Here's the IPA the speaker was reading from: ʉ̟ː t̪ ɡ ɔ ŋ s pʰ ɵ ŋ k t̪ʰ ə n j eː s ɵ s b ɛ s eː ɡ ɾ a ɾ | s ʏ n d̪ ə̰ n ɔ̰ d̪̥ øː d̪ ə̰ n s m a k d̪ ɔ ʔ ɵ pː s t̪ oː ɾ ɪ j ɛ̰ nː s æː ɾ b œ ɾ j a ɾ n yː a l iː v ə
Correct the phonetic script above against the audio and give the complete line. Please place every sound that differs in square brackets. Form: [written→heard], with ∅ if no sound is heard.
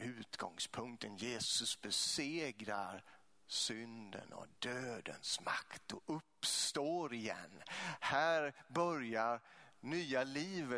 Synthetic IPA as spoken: ʉ̟ː t̪ ɡ ɔ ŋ s pʰ ɵ ŋ k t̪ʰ ə n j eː s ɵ s b ɛ s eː ɡ ɾ a ɾ | s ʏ n d̪ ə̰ n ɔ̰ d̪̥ øː d̪ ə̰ n s m a k [d̪→t̪] ɔ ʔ ɵ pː s t̪ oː ɾ ɪ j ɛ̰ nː [s→h] æː ɾ b œ ɾ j a ɾ n yː a l iː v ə